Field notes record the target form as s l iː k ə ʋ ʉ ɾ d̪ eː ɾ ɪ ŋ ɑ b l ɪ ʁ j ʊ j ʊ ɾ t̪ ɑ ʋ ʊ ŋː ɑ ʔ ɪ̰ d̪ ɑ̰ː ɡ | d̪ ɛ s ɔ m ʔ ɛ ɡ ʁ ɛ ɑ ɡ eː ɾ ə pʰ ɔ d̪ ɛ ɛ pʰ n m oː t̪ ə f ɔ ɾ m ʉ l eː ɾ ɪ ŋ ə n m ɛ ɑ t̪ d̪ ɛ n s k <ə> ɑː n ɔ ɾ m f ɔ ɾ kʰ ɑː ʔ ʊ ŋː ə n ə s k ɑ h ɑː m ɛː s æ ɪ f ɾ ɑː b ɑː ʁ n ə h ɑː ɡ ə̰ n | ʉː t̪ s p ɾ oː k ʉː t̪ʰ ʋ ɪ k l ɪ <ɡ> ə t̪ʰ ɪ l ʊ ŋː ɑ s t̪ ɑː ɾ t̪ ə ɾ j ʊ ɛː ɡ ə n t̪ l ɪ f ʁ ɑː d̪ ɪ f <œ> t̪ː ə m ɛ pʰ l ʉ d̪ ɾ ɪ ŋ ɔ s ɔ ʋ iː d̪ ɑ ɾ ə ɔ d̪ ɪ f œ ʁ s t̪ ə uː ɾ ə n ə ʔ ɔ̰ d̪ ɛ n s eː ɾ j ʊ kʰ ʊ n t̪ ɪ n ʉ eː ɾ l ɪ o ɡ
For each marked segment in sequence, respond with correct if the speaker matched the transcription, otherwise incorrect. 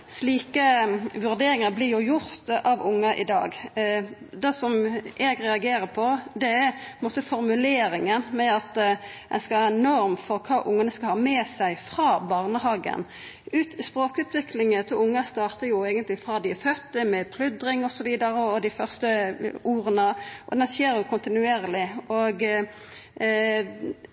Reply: incorrect, incorrect, correct

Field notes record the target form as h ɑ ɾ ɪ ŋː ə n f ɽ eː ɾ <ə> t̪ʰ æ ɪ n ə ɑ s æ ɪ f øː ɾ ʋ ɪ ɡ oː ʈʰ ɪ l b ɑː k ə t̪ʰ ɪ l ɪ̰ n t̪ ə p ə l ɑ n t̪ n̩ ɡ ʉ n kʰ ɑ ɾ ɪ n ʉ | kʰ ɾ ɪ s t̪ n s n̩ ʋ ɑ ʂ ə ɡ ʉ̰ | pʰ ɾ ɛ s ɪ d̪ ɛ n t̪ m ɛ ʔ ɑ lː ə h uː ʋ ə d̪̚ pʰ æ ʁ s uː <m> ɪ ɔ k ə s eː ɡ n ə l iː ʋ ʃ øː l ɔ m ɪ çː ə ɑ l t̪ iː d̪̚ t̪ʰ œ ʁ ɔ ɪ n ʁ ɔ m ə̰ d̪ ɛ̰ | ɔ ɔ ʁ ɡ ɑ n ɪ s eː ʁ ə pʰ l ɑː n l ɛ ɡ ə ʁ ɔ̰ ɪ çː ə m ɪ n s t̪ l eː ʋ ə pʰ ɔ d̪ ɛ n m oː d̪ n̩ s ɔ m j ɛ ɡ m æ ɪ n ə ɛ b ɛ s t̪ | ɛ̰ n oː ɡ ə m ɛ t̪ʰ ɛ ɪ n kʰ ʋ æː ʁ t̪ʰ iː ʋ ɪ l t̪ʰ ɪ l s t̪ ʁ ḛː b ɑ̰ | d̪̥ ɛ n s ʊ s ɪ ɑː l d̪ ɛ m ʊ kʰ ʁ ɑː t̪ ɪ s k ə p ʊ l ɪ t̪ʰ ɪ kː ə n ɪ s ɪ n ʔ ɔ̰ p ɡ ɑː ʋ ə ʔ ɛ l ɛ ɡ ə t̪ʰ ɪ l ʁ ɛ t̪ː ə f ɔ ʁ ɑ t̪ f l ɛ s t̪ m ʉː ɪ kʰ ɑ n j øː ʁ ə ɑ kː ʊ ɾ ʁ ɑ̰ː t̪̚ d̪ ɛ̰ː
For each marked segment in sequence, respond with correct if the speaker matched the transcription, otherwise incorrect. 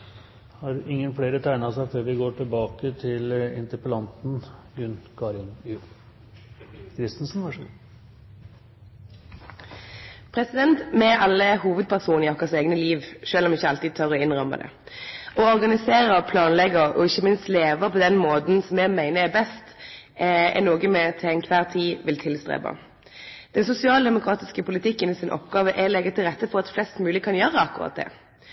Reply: correct, incorrect

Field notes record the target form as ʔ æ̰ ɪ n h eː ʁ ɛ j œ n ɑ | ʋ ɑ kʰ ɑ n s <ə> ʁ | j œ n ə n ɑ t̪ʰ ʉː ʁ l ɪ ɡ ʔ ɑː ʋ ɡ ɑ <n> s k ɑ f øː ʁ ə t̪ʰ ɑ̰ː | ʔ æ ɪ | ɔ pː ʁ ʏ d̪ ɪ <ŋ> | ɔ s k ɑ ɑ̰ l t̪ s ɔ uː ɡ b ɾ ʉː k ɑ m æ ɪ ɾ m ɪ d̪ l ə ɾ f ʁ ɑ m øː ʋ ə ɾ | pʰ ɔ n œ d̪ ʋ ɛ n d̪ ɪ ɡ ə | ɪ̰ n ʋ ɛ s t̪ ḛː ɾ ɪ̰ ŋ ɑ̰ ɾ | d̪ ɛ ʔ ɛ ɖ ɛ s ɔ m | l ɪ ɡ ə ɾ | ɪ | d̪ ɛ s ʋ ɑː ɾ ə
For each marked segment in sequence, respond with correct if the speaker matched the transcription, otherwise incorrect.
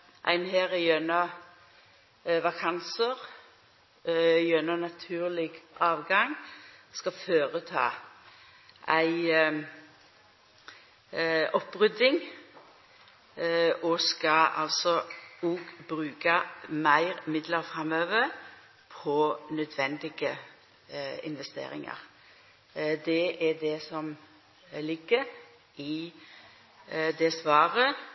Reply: correct, incorrect, correct

